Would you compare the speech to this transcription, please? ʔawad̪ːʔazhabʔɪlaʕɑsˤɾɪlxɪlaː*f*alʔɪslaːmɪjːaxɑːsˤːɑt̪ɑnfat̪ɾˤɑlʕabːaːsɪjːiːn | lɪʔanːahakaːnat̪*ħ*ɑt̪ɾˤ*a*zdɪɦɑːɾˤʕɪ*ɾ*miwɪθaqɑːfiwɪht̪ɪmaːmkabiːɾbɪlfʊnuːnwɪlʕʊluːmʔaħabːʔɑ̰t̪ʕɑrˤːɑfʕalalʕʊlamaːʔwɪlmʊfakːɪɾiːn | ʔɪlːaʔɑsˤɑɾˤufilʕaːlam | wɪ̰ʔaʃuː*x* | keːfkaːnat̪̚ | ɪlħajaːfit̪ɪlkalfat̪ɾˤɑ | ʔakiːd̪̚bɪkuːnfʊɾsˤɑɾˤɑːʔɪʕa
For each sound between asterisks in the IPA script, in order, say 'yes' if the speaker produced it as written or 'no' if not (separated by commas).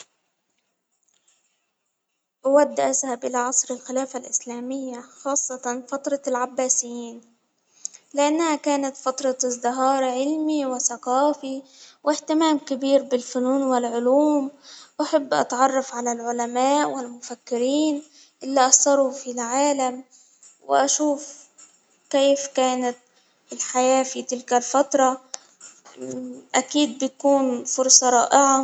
yes, no, no, no, no